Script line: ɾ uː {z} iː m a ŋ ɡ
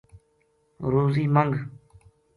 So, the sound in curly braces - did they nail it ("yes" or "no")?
yes